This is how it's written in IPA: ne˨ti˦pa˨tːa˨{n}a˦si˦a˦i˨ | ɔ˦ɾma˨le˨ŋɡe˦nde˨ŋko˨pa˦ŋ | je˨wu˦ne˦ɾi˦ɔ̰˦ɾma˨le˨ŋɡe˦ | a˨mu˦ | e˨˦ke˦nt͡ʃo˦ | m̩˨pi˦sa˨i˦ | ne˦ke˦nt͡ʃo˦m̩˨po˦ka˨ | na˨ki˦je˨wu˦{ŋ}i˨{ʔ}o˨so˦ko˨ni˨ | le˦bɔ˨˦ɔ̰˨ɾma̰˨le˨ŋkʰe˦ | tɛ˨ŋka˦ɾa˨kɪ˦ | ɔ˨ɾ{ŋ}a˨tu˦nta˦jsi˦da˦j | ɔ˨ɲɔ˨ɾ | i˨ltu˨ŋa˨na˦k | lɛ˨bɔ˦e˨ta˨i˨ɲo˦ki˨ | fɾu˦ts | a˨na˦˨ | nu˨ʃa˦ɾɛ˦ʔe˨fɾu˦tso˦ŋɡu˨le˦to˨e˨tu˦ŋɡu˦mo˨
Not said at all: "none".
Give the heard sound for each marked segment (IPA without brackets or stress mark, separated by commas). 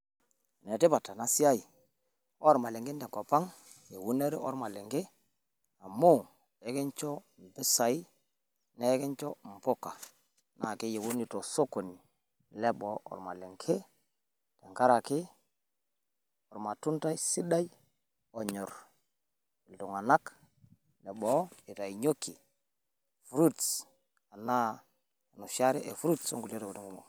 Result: n, n, t, m